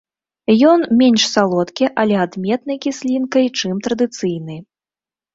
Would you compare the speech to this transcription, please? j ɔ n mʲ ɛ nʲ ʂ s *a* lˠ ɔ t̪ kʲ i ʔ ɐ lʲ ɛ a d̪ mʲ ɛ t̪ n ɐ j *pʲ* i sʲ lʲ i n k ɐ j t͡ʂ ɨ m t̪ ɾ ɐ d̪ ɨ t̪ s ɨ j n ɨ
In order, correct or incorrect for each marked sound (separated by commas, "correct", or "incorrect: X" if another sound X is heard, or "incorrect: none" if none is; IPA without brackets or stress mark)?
correct, incorrect: kʲ